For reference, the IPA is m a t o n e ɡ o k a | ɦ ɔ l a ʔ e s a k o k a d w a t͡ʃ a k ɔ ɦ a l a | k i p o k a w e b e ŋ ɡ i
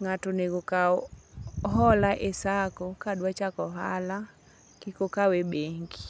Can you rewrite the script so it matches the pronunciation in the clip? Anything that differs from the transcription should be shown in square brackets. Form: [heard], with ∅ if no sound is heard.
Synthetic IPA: [ŋ] a t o n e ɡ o k a | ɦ ɔ l a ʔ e s a k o k a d w a t͡ʃ a k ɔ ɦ a l a | k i [k] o k a w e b e ŋ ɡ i